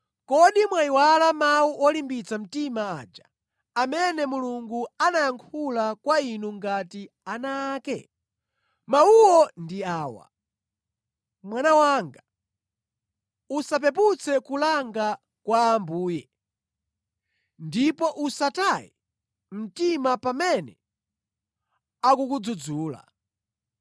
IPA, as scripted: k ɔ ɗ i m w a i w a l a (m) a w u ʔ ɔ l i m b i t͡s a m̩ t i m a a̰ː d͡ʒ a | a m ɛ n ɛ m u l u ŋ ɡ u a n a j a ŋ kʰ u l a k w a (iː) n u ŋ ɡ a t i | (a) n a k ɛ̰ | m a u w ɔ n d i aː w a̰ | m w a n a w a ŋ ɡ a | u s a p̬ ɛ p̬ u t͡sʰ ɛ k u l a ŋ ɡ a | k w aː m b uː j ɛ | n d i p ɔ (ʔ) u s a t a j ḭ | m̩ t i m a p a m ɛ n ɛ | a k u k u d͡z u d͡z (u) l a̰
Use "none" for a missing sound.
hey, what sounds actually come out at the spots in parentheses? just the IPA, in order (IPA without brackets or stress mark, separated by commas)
m, i, a, ʔ, uː